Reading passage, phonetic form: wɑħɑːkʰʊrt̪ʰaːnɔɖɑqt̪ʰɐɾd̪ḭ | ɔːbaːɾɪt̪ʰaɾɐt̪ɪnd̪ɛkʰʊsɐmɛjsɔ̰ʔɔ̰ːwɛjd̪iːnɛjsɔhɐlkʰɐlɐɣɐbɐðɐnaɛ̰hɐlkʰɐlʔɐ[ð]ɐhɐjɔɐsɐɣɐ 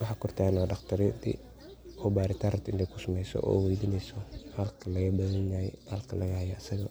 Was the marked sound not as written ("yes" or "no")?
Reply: yes